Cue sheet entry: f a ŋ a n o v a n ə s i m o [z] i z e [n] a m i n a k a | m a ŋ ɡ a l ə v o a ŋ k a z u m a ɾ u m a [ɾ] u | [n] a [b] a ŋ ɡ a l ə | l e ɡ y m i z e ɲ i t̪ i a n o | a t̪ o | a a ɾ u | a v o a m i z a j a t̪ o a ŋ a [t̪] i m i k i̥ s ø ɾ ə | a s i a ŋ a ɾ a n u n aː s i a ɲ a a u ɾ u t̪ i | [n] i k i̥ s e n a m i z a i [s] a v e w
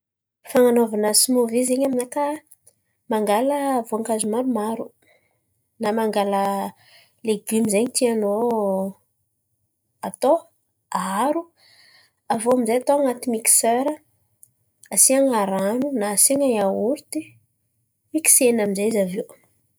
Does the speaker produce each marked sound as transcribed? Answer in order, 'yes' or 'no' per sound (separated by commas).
no, no, yes, yes, no, yes, no, no